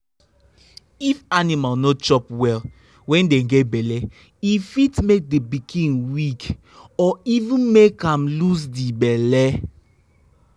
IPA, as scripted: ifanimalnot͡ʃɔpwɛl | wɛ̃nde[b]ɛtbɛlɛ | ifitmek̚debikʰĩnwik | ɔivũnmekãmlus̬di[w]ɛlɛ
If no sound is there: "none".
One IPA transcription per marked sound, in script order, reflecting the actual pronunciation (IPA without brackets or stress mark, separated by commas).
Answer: ɡ, b